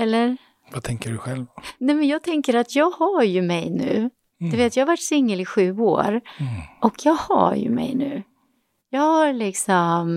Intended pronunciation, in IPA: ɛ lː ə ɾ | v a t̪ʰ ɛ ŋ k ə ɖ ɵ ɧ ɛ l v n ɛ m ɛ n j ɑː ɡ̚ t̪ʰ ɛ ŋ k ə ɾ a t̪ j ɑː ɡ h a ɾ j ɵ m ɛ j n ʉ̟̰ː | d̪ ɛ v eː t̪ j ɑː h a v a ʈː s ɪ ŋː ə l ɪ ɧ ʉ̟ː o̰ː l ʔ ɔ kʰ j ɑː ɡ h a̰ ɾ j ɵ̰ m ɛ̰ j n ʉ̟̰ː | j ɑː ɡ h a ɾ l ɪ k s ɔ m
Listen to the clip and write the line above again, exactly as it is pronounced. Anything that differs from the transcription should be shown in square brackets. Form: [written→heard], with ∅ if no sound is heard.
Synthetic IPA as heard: ɛ lː ə ɾ | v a t̪ʰ ɛ ŋ k ə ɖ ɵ ɧ ɛ l v n ɛ m ɛ n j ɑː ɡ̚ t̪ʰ ɛ ŋ k ə ɾ a t̪ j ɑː ɡ h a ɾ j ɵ m ɛ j n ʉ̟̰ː | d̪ ɛ v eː t̪ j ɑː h a v a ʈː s ɪ ŋː ə l ɪ ɧ ʉ̟ː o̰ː [l→ɾ] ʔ ɔ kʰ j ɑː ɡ h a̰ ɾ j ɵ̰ m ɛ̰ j n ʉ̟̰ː | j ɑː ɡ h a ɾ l ɪ k s ɔ m